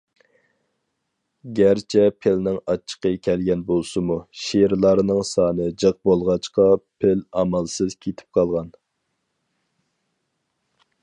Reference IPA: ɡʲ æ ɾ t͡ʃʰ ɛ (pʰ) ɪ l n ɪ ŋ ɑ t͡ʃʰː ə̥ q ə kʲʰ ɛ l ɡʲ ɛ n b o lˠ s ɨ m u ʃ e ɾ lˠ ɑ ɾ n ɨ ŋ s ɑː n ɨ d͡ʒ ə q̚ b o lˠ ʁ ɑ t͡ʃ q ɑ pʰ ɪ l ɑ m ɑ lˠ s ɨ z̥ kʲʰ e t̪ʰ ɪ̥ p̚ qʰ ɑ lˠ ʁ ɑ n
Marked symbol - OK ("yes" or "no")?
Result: yes